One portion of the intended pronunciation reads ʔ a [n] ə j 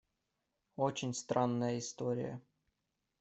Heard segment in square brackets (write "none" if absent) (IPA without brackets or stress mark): nː